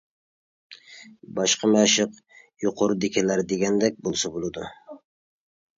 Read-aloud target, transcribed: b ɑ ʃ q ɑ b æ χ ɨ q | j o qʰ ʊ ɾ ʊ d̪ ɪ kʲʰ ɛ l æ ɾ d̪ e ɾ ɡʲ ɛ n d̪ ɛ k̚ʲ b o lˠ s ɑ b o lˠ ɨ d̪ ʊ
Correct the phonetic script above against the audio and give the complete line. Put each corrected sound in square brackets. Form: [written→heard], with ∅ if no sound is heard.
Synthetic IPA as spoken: b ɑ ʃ q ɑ [b→m] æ [χ→ʃ] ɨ q | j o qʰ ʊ ɾ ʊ d̪ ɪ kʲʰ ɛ l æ ɾ d̪ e [ɾ→∅] ɡʲ ɛ n d̪ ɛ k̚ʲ b o lˠ s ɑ b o lˠ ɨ d̪ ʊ